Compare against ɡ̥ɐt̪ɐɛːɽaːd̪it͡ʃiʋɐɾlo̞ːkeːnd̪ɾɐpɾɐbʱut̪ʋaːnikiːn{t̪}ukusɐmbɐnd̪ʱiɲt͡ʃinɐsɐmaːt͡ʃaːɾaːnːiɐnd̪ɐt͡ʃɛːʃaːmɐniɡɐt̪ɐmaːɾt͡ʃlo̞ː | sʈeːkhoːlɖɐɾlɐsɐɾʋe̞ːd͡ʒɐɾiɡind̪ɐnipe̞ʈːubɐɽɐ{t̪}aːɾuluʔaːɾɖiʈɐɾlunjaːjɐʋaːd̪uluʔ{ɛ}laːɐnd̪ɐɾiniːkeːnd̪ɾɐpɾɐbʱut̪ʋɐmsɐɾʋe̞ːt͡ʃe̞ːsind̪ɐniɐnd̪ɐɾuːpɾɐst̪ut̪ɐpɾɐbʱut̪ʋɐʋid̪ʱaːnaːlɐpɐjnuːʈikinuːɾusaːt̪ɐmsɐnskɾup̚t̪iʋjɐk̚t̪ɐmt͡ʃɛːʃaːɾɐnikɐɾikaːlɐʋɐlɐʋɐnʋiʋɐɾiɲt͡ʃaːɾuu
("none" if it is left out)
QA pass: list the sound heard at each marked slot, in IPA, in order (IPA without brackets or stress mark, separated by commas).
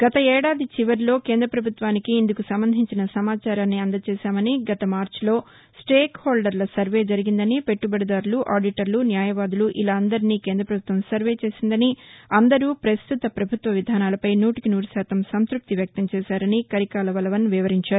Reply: d̪, d̪, i